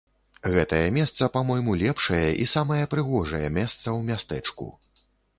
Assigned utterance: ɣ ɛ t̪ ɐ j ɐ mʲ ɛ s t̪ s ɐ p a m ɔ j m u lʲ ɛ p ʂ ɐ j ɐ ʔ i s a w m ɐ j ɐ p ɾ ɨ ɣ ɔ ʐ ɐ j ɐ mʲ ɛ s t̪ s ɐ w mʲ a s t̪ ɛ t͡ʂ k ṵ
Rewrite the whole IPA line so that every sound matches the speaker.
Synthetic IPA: ɣ ɛ t̪ ɐ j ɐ mʲ ɛ s t̪ s ɐ p a m ɔ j m u lʲ ɛ p ʂ ɐ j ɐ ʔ i s a m ɐ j ɐ p ɾ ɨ ɣ ɔ ʐ ɐ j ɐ mʲ ɛ s t̪ s ɐ w mʲ a s t̪ ɛ t͡ʂ k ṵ